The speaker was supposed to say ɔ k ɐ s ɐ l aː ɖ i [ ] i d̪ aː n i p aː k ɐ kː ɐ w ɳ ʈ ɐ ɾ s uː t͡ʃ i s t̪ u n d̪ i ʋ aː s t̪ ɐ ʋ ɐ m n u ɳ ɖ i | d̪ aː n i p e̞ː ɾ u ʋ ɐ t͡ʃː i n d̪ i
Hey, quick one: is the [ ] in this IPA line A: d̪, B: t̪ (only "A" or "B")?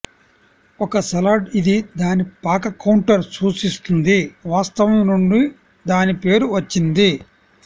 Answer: A